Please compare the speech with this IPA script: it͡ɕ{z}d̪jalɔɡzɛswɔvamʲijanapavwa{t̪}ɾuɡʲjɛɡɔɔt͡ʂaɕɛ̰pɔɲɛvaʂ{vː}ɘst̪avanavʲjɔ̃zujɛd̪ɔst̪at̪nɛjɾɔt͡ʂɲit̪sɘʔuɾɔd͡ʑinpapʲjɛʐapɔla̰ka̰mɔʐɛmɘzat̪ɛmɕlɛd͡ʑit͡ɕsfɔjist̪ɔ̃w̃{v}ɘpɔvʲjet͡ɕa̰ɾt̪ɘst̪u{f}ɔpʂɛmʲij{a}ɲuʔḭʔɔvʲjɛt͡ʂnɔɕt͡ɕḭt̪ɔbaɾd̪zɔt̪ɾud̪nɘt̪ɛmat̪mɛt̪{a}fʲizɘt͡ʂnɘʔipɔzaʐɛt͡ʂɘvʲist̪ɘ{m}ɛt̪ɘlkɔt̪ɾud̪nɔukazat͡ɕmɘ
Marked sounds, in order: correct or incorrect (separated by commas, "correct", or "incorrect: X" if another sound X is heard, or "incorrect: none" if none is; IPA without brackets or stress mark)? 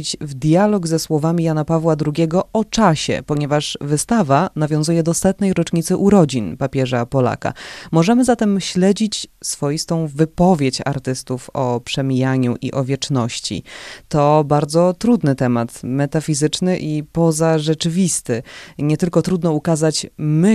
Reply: incorrect: v, incorrect: d̪, incorrect: v, correct, correct, correct, correct, incorrect: ɲ